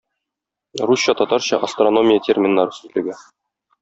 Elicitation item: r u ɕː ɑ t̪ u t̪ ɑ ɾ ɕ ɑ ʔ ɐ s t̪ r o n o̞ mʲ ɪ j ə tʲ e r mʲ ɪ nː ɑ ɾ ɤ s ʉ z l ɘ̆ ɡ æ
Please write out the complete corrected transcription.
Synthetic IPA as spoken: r u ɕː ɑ t̪ ɒ t̪ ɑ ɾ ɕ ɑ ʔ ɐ s t̪ r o n o̞ mʲ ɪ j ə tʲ e r mʲ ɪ nː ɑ ɾ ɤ s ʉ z l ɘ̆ ɡ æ